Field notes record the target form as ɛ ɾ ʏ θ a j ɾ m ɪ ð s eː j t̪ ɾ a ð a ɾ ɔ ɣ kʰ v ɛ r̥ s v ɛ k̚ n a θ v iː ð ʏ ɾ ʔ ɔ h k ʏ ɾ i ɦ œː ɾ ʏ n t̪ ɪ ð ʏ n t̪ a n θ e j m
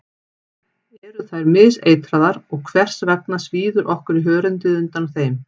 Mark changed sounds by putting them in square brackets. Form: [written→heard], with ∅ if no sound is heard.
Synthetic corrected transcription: ɛ ɾ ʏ θ a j ɾ m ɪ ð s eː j t̪ ɾ a ð a ɾ ɔ ɣ kʰ v ɛ r̥ s v ɛ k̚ n a [θ→s] v iː ð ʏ ɾ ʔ ɔ h k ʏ ɾ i ɦ œː ɾ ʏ n t̪ ɪ ð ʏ n t̪ a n θ e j m